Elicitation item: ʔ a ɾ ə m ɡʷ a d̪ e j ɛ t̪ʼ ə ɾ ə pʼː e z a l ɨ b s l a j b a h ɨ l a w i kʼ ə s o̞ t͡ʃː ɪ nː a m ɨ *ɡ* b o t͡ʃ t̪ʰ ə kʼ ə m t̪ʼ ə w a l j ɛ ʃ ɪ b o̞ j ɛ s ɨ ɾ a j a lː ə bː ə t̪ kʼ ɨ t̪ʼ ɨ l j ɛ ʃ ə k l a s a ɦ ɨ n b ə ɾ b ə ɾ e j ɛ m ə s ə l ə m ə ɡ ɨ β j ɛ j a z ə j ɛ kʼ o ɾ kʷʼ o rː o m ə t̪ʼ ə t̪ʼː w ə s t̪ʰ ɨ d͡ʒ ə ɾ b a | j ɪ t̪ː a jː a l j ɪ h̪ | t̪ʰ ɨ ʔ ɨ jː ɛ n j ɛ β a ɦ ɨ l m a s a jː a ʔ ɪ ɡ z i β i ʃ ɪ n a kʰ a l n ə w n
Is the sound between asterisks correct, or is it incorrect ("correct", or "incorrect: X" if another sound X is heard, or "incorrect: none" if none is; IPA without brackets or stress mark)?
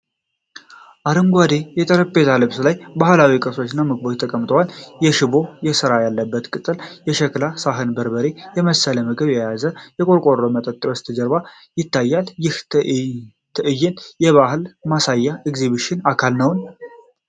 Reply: correct